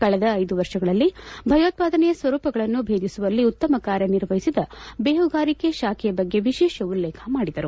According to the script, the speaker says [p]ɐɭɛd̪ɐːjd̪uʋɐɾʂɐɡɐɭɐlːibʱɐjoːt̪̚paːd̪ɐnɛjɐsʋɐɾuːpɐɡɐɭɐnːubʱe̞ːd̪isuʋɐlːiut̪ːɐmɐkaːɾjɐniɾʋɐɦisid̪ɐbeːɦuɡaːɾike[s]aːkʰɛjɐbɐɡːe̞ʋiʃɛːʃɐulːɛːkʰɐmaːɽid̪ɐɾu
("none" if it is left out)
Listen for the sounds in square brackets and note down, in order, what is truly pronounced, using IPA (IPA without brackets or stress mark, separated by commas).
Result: k, ʃ